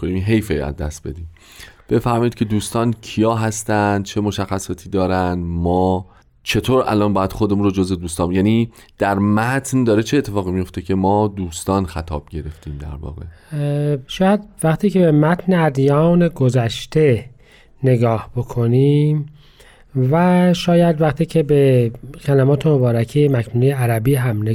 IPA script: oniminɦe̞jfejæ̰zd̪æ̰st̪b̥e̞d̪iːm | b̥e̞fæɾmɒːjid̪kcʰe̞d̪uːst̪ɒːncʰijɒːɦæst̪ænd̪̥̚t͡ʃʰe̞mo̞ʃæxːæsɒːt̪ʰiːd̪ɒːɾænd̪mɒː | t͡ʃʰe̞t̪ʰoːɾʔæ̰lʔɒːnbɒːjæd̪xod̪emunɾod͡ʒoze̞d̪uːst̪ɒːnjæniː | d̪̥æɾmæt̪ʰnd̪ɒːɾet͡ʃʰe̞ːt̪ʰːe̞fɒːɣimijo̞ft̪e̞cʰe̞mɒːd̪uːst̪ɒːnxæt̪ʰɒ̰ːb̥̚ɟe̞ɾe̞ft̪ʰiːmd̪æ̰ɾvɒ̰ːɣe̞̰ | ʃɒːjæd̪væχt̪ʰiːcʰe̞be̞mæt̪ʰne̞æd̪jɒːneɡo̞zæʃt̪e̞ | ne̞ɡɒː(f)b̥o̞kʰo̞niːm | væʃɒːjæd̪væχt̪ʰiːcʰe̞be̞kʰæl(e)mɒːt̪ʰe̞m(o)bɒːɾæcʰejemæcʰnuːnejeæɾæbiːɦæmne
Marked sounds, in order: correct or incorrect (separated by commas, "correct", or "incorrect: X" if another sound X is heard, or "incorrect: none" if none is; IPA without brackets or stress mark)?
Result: incorrect: h, incorrect: æ, correct